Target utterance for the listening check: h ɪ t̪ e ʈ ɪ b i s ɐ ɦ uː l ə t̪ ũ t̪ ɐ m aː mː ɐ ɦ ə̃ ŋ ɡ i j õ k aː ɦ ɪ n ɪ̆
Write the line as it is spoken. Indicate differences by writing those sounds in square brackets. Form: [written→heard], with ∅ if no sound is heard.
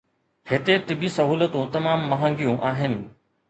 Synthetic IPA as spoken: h ɪ t̪ e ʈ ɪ b i s ɐ ɦ uː l ə t̪ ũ t̪ ɐ m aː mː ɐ ɦ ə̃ ŋ ɡ i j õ [k→ʔ] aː ɦ ɪ n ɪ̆